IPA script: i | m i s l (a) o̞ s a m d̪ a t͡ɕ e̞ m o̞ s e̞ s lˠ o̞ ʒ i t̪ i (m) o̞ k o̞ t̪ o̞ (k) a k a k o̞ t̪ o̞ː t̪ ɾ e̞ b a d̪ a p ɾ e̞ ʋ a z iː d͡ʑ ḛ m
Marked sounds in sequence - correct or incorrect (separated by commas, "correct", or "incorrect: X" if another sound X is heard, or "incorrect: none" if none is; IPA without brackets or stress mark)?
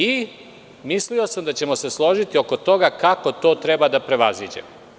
incorrect: i, incorrect: none, incorrect: ɡ